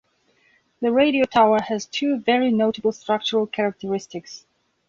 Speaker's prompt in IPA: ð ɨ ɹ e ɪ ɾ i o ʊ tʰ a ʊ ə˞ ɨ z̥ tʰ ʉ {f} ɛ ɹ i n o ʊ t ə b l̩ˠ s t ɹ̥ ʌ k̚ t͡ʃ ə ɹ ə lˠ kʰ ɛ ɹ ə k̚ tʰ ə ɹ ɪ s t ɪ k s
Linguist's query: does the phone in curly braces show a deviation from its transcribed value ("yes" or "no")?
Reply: yes